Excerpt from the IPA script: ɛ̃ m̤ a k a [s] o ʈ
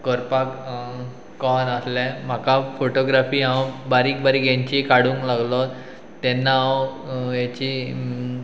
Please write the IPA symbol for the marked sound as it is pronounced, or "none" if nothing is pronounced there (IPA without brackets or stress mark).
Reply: f